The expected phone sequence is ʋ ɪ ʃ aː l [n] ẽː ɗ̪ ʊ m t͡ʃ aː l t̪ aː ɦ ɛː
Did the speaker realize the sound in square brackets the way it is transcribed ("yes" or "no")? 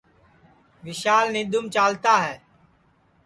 yes